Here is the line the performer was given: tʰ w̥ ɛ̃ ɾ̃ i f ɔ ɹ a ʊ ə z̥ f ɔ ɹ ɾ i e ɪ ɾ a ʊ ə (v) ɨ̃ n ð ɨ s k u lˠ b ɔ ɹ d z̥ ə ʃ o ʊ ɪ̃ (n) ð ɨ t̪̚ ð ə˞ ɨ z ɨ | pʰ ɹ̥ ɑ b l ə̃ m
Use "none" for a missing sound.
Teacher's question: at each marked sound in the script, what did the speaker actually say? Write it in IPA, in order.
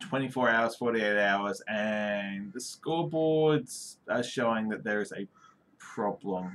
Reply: z, ŋ

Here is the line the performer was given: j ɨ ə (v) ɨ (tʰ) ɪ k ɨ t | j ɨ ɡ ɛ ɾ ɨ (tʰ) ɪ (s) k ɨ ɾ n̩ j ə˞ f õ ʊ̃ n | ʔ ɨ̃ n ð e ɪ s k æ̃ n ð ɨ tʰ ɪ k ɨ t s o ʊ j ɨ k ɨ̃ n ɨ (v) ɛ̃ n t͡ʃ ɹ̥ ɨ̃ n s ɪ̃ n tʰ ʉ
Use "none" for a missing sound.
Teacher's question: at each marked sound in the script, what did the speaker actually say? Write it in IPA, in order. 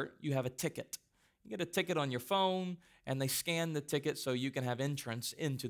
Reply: v, tʰ, tʰ, none, v

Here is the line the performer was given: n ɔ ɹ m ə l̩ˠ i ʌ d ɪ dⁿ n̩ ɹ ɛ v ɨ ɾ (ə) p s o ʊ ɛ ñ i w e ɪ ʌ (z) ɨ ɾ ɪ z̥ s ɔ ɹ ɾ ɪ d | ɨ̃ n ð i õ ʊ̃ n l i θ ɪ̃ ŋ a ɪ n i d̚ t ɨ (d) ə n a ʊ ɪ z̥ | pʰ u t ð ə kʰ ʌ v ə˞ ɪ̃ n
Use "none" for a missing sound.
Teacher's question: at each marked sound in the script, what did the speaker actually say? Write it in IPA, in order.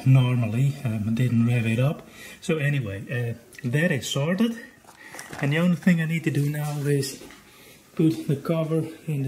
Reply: ʌ, ð, d

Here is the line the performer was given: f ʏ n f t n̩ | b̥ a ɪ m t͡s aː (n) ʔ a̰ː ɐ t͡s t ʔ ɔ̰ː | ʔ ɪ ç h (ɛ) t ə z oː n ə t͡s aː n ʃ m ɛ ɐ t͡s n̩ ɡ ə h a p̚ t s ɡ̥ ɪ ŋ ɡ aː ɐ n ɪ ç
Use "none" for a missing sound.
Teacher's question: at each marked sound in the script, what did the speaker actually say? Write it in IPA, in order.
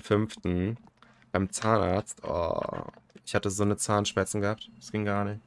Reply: n, a

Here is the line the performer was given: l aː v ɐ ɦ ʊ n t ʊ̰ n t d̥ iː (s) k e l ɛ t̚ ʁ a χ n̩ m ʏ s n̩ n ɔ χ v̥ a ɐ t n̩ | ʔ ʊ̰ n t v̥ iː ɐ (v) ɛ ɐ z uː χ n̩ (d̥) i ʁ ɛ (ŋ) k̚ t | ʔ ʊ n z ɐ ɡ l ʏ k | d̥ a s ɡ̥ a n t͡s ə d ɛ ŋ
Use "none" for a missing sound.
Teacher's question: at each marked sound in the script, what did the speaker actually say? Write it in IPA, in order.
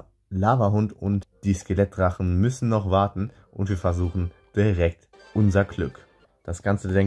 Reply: s, f, d̥, none

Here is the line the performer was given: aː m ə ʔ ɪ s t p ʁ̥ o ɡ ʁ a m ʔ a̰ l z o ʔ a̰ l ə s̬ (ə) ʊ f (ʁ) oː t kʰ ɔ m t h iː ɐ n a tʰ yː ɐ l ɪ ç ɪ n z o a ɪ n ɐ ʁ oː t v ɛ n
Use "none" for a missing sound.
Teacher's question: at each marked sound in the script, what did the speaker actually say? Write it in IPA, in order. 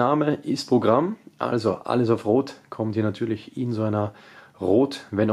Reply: a, ʁ

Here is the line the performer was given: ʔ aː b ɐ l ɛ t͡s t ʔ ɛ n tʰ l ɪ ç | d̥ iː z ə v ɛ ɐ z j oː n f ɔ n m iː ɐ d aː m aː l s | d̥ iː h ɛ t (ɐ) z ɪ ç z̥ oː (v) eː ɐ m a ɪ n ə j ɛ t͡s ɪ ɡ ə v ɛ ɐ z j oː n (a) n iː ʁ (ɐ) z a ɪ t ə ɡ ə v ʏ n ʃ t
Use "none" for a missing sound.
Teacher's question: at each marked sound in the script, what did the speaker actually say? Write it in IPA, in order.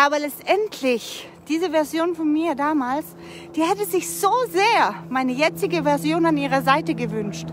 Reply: ə, z, a, ɐ

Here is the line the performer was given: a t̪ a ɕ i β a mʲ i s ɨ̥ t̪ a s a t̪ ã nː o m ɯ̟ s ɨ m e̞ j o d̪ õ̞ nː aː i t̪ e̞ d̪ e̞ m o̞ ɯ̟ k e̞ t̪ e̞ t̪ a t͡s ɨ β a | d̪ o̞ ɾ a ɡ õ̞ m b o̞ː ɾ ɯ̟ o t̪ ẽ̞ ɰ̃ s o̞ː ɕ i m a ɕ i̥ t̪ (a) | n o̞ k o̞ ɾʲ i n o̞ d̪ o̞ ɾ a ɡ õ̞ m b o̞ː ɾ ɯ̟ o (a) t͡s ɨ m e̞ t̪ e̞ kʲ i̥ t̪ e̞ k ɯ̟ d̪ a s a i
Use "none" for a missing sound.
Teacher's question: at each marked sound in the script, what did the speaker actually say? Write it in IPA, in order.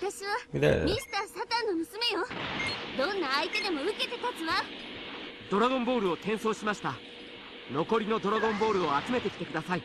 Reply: a, a

